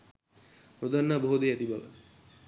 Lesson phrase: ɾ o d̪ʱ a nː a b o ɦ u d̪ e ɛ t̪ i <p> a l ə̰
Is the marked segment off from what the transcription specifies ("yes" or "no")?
yes